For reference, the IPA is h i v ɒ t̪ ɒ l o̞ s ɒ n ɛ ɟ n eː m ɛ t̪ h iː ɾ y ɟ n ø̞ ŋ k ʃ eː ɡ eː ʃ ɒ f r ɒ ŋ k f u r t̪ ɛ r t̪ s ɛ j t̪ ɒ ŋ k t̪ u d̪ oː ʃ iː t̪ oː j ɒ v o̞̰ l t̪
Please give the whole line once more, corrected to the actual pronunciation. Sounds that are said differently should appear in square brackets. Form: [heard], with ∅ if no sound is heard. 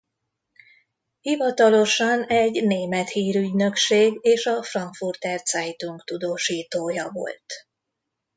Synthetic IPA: h i v ɒ t̪ ɒ l o̞ [ʃ] ɒ n ɛ ɟ n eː m ɛ t̪ h iː ɾ y ɟ n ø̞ [∅] k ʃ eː ɡ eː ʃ ɒ f r ɒ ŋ k f u r t̪ ɛ r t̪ s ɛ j t̪ [u] ŋ k t̪ u d̪ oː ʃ iː t̪ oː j ɒ v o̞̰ l t̪